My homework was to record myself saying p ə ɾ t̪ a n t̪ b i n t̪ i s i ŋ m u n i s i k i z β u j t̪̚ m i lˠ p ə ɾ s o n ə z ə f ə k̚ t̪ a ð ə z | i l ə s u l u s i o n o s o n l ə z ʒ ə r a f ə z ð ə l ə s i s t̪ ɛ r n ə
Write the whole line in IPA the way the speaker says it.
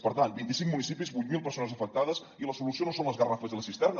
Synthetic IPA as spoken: p ə ɾ t̪ a n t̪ b i n t̪ i s i ŋ m u n i s i p i z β u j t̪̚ m i lˠ p ə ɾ s o n ə z ə f ə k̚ t̪ a ð ə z | i l ə s u l u s i o n o s o n l ə z ɣ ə r a f ə z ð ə l ə s i s t̪ ɛ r n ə